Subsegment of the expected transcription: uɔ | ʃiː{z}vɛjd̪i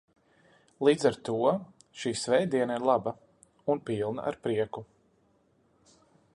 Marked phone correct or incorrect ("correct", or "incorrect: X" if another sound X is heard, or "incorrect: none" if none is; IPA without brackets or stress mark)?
incorrect: s